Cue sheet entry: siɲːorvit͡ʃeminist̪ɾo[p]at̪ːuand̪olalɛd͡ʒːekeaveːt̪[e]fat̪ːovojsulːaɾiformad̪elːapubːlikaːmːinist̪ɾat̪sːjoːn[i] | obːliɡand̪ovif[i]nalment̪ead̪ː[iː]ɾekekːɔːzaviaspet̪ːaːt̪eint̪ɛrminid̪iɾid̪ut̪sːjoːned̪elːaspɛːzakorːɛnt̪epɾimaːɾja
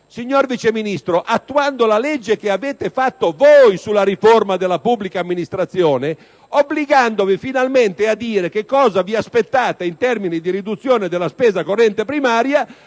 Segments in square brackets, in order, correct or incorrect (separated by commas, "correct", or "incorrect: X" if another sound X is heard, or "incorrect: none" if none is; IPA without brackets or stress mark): incorrect: ʔ, correct, incorrect: e, correct, correct